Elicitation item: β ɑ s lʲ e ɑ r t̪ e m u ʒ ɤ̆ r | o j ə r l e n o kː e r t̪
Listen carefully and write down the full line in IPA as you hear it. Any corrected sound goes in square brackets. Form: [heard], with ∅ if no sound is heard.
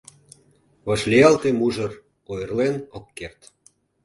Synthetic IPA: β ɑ [ʃ] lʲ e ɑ [l] t̪ e m u ʒ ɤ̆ r | o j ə r l e n o kː e r t̪